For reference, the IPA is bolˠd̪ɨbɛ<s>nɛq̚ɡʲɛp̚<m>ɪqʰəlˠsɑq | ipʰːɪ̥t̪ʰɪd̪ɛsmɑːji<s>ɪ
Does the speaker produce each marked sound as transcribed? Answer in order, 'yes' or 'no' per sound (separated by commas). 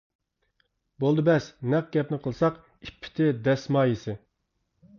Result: yes, no, yes